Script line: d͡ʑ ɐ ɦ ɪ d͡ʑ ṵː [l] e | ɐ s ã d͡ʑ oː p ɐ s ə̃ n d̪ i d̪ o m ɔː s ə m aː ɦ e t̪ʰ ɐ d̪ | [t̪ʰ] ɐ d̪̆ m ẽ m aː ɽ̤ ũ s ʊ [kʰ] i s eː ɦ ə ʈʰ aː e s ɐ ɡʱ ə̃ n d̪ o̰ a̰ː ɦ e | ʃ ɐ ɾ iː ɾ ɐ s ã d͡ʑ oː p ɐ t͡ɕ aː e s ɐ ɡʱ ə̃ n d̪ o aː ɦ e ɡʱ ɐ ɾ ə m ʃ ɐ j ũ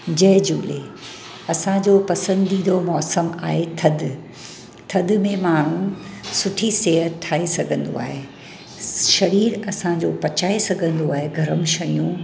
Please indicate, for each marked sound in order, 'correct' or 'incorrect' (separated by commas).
correct, correct, incorrect